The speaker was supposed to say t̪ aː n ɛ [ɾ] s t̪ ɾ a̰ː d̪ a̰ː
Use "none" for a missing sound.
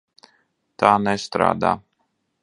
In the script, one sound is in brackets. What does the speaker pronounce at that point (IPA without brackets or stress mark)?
none